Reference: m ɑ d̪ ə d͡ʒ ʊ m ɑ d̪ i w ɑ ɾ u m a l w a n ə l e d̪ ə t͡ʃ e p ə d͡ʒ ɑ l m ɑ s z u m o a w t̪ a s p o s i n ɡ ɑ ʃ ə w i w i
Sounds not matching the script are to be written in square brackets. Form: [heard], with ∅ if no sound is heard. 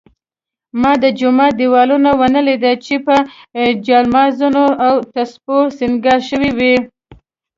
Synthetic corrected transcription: m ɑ d̪ ə d͡ʒ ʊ m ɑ d̪ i w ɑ [l] u [n] a [∅] w a n ə l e d̪ [a] t͡ʃ e p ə d͡ʒ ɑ l m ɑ [∅] z u [n] o a w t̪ a s p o s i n ɡ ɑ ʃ ə w i w i